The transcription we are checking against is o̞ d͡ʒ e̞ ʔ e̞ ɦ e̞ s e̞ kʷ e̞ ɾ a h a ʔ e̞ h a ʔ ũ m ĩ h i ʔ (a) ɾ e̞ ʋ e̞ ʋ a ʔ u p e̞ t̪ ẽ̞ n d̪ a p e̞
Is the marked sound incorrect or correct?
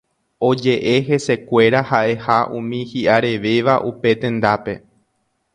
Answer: correct